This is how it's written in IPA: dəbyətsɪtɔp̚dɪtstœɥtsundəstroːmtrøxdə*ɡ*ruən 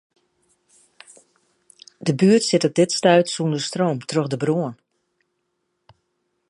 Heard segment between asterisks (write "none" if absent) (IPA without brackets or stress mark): b